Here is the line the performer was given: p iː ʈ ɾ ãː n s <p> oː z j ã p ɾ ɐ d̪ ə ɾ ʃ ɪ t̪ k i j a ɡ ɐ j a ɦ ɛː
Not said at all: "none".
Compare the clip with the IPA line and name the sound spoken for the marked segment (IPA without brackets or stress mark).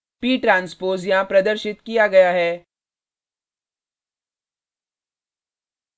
p